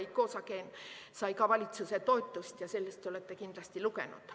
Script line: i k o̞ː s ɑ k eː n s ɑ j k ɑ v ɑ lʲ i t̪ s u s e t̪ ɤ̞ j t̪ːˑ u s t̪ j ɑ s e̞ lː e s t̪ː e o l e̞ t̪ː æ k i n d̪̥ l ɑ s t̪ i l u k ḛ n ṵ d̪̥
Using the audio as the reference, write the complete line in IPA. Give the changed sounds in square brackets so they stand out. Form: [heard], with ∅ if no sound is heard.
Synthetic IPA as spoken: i k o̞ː s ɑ k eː n s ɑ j k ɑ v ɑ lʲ i t̪ s u s e t̪ [o̞] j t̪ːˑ u s t̪ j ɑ s e̞ lː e s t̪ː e o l e̞ t̪ː [e] k i n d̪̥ l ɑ s t̪ i l u k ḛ n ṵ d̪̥